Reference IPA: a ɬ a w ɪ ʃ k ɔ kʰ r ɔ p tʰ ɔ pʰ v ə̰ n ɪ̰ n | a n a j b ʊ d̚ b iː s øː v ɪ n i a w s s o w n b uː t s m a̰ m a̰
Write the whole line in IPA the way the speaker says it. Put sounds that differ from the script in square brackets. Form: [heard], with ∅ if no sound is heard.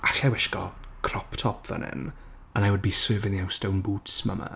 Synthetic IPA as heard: a ɬ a w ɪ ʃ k ɔ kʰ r ɔ p tʰ ɔ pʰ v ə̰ n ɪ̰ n | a n a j [w] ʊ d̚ b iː s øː v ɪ n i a w s [t] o w n b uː t s m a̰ m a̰